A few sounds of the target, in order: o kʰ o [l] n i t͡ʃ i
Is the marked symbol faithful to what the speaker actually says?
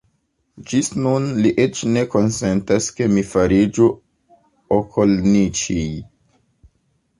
yes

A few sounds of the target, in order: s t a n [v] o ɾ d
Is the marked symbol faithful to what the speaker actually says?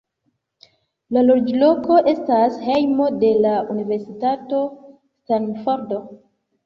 no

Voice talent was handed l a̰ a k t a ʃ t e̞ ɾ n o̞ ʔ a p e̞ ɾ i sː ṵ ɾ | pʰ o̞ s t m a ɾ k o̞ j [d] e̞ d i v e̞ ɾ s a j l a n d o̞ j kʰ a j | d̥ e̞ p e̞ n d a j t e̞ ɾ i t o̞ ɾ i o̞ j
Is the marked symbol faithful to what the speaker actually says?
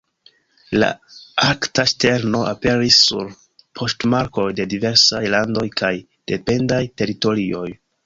yes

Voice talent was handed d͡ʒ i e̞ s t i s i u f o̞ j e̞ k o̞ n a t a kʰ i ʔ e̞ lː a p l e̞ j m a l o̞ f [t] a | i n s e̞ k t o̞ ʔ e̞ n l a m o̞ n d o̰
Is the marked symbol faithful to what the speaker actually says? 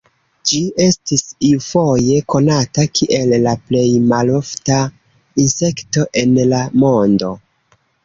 yes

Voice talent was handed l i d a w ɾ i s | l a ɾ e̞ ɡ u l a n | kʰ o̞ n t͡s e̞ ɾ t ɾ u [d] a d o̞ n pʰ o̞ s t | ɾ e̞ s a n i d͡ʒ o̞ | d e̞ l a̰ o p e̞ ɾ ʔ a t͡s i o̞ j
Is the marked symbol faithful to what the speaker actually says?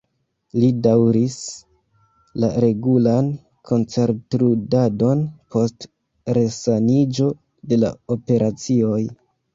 yes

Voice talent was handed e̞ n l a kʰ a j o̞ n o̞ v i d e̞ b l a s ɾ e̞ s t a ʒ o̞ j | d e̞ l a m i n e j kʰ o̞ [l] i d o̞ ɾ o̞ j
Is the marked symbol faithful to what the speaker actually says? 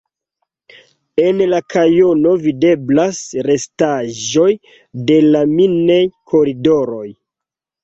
no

